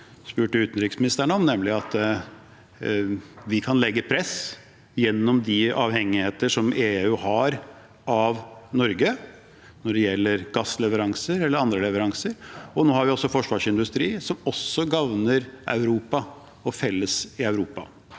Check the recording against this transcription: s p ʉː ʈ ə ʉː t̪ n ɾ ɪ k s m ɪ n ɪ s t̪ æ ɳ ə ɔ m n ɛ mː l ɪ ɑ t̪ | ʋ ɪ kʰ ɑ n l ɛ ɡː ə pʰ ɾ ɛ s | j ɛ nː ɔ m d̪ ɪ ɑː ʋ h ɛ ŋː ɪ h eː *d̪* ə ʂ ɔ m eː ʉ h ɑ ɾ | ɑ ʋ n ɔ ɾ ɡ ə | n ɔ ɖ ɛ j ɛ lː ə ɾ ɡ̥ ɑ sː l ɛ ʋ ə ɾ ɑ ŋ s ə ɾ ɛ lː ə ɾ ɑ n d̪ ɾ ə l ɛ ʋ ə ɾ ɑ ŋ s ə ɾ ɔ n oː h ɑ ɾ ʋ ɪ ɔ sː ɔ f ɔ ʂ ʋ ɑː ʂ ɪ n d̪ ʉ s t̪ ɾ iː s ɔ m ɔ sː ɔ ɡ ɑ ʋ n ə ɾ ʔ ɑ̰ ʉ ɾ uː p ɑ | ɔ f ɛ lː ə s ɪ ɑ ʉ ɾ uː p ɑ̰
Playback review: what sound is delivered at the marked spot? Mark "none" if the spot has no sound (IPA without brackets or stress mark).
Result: t̪